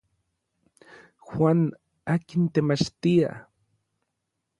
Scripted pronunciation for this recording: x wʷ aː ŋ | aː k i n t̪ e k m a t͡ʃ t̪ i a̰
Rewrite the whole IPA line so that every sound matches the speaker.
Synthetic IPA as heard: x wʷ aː n | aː k i n t̪ e m a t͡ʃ t̪ i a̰